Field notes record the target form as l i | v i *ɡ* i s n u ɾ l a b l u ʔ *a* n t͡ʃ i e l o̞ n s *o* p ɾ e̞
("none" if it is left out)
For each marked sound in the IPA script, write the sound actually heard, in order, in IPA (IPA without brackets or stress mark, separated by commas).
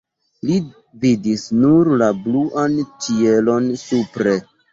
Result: d, a, u